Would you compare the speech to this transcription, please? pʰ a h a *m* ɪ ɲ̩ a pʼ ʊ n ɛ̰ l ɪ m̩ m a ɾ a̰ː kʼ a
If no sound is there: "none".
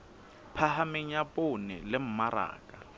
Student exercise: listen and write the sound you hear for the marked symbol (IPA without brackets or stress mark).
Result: m